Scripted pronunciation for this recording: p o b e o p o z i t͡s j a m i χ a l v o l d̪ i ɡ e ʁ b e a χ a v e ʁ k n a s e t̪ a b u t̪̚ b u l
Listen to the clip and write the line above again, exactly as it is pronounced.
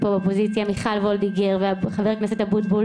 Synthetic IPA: p o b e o p o z i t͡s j a m i χ a l v o l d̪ i ɡ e ʁ v e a χ a v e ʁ k n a s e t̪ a b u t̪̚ b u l